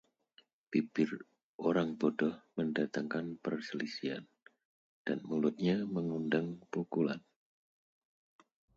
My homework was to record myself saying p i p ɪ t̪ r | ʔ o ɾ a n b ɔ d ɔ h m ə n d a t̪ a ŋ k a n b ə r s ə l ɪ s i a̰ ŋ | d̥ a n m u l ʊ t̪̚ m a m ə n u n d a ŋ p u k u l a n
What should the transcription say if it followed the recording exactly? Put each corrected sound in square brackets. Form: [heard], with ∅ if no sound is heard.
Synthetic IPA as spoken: p i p ɪ [∅] r | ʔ o ɾ a [ŋ] b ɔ d ɔ h m ə n d a t̪ a ŋ k a n [p] ə r s ə l [i] s i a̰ [n] | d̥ a n m u l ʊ t̪̚ [ɲ] a m ə [ŋ] u n d a ŋ p u k u l a n